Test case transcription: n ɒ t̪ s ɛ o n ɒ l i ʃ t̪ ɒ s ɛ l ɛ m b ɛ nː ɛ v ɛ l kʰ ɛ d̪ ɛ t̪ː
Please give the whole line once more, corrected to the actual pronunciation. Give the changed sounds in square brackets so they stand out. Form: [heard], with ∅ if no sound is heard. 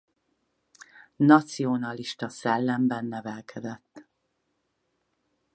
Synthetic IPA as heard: n ɒ t̪ s [i] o n ɒ l i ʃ t̪ ɒ s ɛ [lː] ɛ m b ɛ nː ɛ v ɛ l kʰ ɛ d̪ ɛ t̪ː